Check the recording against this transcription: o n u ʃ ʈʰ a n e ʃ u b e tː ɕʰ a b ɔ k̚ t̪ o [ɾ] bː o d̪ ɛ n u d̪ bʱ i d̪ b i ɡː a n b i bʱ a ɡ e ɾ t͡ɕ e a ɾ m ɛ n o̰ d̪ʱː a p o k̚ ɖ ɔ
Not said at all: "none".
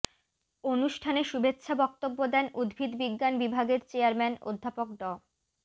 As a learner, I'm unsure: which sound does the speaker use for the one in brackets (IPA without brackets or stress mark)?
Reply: none